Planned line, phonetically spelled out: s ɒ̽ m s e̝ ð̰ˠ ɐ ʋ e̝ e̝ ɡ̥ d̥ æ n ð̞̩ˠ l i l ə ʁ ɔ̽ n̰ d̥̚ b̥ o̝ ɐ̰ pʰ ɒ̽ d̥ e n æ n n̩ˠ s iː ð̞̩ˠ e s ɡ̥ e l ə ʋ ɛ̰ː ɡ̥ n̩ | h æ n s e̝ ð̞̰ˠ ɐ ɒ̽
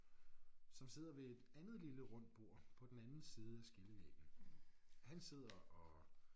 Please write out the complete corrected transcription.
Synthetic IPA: s ɒ̽ m s e̝ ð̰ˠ ɐ ʋ e̝ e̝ d̥ æ n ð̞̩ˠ l i l ə ʁ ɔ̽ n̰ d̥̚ b̥ o̝ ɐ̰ pʰ ɒ̽ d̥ e n æ n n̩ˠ s iː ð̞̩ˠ æ s ɡ̥ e l ə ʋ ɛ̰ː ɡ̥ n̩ | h æ n s e̝ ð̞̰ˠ ɐ ɒ̽

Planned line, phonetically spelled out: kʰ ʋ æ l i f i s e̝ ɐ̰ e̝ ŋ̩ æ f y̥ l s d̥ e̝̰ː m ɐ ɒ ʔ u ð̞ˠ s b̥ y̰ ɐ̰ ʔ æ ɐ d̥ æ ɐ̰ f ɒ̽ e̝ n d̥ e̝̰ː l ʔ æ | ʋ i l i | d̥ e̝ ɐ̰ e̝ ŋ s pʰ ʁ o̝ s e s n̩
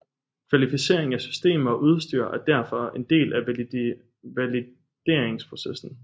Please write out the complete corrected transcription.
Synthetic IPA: kʰ ʋ æ l i f i s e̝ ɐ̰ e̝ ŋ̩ æ s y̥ s d̥ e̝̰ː m ɐ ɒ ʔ u ð̞ˠ s d̥ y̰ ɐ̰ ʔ æ ɐ d̥ æ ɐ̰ f ɒ̽ e̝ n d̥ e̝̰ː l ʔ æ | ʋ æ l i | d̥ e̝ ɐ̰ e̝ ŋ s pʰ ʁ o̝ s e s n̩

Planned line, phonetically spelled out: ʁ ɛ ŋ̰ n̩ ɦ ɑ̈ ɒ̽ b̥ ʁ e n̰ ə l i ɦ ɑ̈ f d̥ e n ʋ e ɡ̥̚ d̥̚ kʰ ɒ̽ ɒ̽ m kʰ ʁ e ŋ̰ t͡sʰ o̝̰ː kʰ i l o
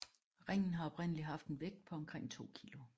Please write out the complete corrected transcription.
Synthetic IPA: ʁ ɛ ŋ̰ n̩ ɦ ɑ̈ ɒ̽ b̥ ʁ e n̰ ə l i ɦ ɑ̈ f d̥ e n ʋ e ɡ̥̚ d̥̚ pʰ ɒ̽ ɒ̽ m kʰ ʁ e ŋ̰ t͡sʰ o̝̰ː kʰ i l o

